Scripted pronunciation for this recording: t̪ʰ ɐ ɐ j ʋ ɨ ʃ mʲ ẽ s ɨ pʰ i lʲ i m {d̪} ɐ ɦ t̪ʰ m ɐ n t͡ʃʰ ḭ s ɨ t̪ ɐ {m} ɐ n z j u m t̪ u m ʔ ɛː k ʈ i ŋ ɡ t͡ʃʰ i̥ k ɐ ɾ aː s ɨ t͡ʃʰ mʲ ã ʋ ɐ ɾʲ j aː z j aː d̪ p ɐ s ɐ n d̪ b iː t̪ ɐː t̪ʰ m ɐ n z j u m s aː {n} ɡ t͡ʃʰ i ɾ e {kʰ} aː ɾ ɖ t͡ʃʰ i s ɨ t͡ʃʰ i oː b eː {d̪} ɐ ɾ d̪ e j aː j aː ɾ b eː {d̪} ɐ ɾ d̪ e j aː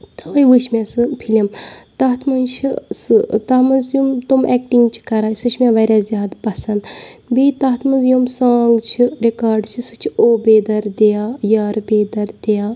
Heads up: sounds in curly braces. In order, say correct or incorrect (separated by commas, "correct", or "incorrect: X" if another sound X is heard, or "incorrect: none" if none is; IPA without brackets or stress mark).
incorrect: t̪, correct, incorrect: ŋ, incorrect: k, correct, correct